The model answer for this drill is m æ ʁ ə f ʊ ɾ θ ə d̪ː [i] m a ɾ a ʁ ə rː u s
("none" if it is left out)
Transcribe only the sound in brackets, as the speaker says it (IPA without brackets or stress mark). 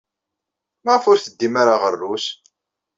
i